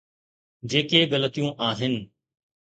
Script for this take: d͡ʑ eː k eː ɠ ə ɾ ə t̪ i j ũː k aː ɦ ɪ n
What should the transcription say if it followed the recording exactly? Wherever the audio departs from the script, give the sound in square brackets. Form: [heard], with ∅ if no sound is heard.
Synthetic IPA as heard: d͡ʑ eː k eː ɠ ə [l] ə t̪ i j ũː [ʔ] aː ɦ ɪ n